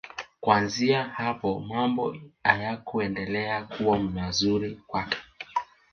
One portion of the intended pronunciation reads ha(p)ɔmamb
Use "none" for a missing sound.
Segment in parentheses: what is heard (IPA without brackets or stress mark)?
p